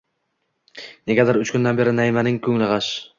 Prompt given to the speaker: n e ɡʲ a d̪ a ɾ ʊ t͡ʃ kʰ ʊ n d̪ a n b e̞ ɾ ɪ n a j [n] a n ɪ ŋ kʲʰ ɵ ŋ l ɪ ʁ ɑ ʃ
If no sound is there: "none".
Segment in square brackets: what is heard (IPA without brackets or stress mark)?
m